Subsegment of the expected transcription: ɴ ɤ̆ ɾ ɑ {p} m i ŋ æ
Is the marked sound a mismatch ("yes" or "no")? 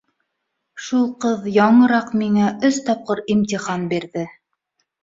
yes